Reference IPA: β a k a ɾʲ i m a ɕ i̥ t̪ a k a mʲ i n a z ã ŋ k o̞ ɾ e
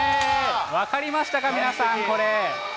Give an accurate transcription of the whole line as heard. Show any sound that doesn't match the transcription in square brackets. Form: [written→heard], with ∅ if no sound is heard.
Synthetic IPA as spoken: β a k a ɾʲ i m a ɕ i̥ t̪ a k a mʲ i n a [z→s] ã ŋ k o̞ ɾ e